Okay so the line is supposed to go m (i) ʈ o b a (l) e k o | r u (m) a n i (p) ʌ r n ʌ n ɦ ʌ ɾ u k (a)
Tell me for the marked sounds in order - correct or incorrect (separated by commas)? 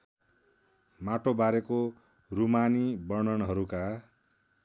incorrect, incorrect, correct, incorrect, correct